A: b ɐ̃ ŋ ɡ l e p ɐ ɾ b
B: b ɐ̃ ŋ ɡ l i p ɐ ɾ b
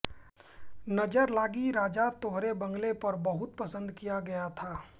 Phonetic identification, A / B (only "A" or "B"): A